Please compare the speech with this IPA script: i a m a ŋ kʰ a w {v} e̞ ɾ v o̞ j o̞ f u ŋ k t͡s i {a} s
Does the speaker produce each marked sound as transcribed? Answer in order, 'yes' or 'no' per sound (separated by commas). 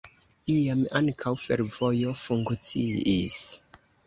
no, no